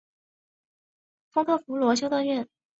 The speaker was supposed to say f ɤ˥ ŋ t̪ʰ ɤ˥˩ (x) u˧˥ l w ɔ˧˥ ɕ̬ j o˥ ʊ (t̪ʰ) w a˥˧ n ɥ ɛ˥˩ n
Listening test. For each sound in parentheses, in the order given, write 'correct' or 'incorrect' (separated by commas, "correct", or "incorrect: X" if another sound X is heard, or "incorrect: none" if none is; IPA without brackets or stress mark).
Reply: incorrect: f, incorrect: t̪